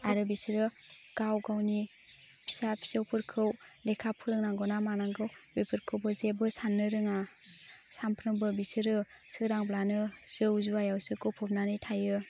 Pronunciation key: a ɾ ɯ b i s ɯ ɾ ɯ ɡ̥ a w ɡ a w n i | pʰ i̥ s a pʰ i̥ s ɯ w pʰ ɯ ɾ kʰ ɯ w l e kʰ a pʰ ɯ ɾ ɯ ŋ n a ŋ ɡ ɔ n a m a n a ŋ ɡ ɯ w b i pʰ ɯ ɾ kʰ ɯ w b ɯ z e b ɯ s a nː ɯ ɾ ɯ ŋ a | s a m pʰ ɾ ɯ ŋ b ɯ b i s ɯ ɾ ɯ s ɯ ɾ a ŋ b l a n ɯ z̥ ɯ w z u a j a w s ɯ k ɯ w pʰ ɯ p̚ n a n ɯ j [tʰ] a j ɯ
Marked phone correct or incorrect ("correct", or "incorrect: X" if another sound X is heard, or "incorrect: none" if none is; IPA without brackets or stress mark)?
correct